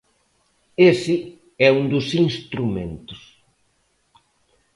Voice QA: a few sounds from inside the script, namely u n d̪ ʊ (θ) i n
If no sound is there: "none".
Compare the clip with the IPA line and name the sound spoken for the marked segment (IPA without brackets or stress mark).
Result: s